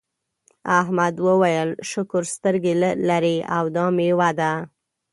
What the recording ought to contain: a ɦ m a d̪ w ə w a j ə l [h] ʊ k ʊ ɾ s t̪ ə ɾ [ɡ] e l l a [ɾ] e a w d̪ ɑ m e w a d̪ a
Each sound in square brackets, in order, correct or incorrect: incorrect, correct, correct

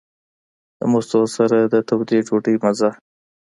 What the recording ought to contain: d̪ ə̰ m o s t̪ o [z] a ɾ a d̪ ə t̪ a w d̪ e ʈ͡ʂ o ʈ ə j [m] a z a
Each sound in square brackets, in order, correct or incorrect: incorrect, correct

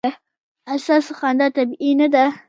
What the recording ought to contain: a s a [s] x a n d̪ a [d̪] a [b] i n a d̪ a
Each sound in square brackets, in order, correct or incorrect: correct, incorrect, correct

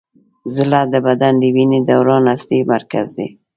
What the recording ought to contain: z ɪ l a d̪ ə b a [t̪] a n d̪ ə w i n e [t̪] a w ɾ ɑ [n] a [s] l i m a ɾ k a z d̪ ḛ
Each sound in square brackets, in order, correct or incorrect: incorrect, incorrect, correct, correct

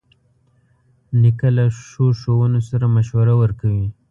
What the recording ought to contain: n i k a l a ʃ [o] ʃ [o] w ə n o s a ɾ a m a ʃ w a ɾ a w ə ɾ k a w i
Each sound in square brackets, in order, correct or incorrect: correct, correct

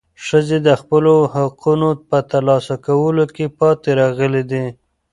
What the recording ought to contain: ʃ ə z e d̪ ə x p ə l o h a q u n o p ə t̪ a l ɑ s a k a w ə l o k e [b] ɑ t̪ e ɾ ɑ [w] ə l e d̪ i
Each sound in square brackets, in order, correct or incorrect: incorrect, incorrect

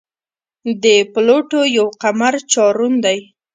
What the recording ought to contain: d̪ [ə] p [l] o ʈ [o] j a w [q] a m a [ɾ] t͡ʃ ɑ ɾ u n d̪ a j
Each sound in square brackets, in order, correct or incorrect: correct, correct, correct, correct, correct

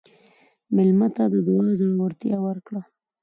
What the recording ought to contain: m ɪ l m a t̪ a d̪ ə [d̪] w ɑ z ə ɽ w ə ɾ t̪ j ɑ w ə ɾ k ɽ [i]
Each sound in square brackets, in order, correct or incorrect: correct, incorrect

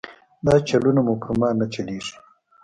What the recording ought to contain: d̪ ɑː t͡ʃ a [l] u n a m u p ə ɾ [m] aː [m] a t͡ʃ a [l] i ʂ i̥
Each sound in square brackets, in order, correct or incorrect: correct, correct, incorrect, correct

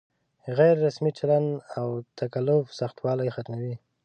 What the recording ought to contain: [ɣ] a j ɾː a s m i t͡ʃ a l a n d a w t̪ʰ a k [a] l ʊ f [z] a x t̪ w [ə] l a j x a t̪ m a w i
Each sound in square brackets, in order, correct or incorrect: correct, correct, incorrect, incorrect

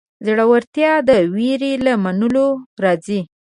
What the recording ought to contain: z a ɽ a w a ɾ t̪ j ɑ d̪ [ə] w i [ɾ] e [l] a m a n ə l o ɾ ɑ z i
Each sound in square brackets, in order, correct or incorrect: correct, correct, correct

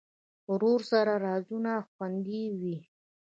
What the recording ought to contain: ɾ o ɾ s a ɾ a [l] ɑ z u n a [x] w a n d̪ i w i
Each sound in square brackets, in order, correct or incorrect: incorrect, correct

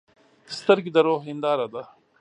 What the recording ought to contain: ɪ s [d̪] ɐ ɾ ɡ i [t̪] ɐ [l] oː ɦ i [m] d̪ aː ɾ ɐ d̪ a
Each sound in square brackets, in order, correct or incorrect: incorrect, incorrect, incorrect, incorrect

